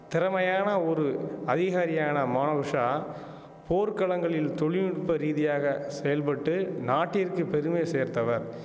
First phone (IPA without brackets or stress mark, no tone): t̪